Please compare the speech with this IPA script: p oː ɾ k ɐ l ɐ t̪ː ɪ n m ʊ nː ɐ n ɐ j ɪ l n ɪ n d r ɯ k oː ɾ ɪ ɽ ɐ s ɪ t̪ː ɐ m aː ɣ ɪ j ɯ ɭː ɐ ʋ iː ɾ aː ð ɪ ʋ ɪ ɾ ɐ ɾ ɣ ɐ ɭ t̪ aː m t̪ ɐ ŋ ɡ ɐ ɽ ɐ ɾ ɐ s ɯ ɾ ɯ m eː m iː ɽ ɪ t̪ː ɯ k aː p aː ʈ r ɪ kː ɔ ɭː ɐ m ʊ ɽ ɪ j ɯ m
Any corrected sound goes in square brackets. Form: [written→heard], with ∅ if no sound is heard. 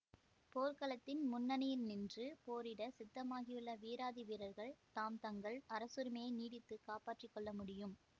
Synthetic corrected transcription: p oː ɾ k ɐ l ɐ t̪ː ɪ n m ʊ nː ɐ n ɐ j ɪ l n ɪ n d r ɯ [k→p] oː ɾ ɪ ɽ ɐ s ɪ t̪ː ɐ m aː ɣ ɪ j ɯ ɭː ɐ ʋ iː ɾ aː ð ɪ ʋ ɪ ɾ ɐ ɾ ɣ ɐ ɭ t̪ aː m t̪ ɐ ŋ ɡ ɐ [ɽ→ɭ] ɐ ɾ ɐ s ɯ ɾ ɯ m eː [m→n] iː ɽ ɪ t̪ː ɯ k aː p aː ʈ r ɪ kː ɔ ɭː ɐ m ʊ ɽ ɪ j ɯ m

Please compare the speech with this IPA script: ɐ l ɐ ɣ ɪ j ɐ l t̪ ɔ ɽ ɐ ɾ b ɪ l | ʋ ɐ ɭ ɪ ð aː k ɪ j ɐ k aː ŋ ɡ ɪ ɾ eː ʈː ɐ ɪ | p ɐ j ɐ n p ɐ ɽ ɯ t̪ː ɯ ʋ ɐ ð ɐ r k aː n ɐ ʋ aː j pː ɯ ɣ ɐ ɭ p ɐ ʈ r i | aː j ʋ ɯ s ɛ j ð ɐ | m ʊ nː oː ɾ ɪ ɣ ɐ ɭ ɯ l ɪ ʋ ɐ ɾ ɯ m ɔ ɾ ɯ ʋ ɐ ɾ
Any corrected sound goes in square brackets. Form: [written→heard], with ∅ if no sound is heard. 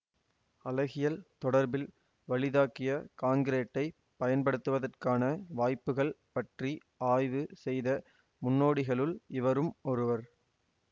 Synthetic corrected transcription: ɐ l ɐ ɣ ɪ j ɐ l t̪ ɔ ɽ ɐ ɾ b ɪ l | ʋ ɐ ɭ ɪ ð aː k ɪ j ɐ k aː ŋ ɡ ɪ ɾ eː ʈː ɐ ɪ | p ɐ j ɐ n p ɐ ɽ ɯ t̪ː ɯ ʋ ɐ ð ɐ r k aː n ɐ ʋ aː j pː ɯ ɣ ɐ ɭ p ɐ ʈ r i | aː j ʋ ɯ s ɛ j ð ɐ | m ʊ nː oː [ɾ→ɽ] ɪ ɣ ɐ ɭ ɯ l ɪ ʋ ɐ ɾ ɯ m ɔ ɾ ɯ ʋ ɐ ɾ

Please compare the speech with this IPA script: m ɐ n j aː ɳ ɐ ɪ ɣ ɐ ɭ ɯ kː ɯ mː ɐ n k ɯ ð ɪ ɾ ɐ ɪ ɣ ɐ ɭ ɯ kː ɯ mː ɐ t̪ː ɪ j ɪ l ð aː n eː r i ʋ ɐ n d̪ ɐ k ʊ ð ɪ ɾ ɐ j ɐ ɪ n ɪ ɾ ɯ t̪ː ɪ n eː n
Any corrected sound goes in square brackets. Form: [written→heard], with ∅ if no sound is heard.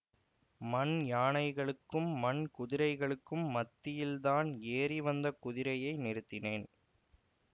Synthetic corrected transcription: m ɐ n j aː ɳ ɐ ɪ ɣ ɐ ɭ ɯ kː ɯ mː ɐ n k [ɯ→ʊ] ð ɪ ɾ ɐ ɪ ɣ ɐ ɭ ɯ kː ɯ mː ɐ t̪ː ɪ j ɪ l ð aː n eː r i ʋ ɐ n d̪ ɐ k ʊ ð ɪ ɾ ɐ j ɐ ɪ n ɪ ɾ ɯ t̪ː ɪ n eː n

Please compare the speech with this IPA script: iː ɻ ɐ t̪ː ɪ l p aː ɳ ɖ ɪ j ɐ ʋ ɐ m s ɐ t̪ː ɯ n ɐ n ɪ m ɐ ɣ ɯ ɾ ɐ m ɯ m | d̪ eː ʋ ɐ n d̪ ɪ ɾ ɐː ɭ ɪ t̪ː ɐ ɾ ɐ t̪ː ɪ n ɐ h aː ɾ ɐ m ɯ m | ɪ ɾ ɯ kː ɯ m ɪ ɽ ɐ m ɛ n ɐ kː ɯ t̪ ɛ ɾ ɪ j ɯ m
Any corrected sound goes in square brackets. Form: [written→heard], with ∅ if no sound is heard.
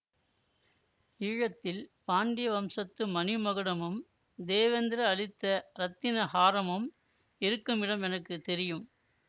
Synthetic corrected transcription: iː ɻ ɐ t̪ː ɪ l p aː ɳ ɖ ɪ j ɐ ʋ ɐ m s ɐ t̪ː ɯ [n→m] ɐ n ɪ m ɐ ɣ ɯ [ɾ→ɽ] ɐ m ɯ m | d̪ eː ʋ ɐ n d̪ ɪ ɾ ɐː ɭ ɪ t̪ː ɐ ɾ ɐ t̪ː ɪ n ɐ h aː ɾ ɐ m ɯ m | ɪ ɾ ɯ kː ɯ m ɪ ɽ ɐ m ɛ n ɐ kː ɯ t̪ ɛ ɾ ɪ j ɯ m

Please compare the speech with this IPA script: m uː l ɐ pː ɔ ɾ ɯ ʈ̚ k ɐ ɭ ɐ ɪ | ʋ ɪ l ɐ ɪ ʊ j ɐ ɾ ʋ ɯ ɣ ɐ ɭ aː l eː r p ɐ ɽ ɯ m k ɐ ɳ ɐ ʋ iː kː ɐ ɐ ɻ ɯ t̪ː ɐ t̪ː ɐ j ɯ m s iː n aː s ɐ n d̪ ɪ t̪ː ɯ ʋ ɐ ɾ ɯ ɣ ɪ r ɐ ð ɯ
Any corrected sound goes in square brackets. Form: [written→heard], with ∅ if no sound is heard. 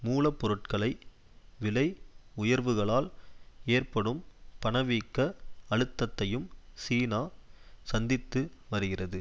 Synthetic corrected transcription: m uː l ɐ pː ɔ ɾ ɯ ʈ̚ k ɐ ɭ ɐ ɪ | ʋ ɪ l ɐ ɪ ʊ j ɐ ɾ ʋ ɯ ɣ ɐ ɭ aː l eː r p ɐ ɽ ɯ m [k→p] ɐ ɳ ɐ ʋ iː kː ɐ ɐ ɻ ɯ t̪ː ɐ t̪ː ɐ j ɯ m s iː n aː s ɐ n d̪ ɪ t̪ː ɯ ʋ ɐ ɾ ɯ ɣ ɪ r ɐ ð ɯ

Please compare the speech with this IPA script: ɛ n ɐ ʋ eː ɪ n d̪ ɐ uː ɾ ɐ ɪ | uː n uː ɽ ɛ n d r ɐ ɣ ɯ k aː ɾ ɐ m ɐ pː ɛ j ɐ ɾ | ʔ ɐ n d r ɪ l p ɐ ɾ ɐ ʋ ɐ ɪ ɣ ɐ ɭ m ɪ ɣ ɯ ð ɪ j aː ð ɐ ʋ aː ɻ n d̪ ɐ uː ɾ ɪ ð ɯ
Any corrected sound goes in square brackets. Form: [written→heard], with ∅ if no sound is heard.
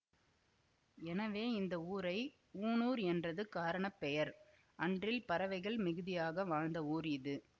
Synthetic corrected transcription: ɛ n ɐ ʋ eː ɪ n d̪ ɐ uː ɾ ɐ ɪ | uː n uː [ɽ→ɾ] ɛ n d r ɐ [ɣ→ð] ɯ k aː ɾ ɐ [m→ɳ] ɐ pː ɛ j ɐ ɾ | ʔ ɐ n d r ɪ l p ɐ ɾ ɐ ʋ ɐ ɪ ɣ ɐ ɭ m ɪ ɣ ɯ ð ɪ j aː [ð→ɣ] ɐ ʋ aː ɻ n d̪ ɐ uː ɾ ɪ ð ɯ

